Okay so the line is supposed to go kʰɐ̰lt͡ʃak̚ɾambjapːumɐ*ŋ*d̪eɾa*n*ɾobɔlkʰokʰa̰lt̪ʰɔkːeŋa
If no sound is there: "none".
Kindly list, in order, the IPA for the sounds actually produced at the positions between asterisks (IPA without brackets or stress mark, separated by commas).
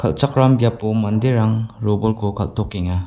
n, ŋ